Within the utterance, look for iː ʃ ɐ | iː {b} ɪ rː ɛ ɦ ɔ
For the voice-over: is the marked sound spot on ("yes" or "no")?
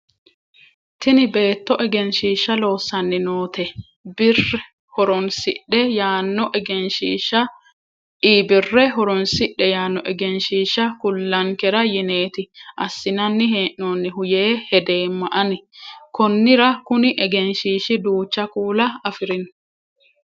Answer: yes